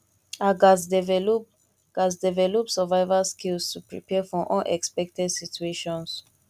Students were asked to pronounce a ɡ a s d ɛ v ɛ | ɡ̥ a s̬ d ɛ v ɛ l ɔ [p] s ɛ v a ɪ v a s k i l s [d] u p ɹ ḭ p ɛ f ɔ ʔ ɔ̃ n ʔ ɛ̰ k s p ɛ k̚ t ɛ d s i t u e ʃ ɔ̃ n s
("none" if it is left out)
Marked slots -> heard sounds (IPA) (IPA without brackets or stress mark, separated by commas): p, t